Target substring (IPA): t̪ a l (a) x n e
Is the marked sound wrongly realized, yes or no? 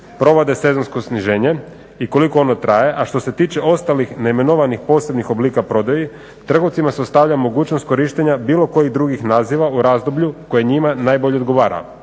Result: yes